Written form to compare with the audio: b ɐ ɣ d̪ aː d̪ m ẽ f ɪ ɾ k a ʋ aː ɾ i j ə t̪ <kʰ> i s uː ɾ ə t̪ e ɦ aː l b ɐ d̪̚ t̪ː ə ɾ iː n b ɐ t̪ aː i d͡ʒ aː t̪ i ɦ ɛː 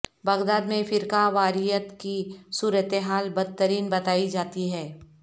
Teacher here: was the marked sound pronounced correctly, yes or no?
no